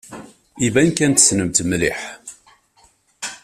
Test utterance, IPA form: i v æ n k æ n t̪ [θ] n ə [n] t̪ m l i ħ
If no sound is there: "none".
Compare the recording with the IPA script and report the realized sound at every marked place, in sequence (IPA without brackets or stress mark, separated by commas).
s, m